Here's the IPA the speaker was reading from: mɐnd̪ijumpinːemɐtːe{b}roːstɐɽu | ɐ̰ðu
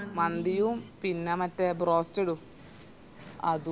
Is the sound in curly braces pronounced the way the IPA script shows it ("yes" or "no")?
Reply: yes